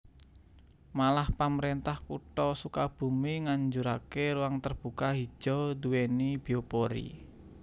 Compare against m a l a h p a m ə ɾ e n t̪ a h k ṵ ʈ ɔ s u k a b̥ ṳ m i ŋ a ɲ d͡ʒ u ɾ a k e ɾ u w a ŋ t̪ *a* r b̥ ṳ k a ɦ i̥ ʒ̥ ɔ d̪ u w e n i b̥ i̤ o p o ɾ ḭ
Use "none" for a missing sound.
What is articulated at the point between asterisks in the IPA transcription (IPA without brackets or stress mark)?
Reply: ə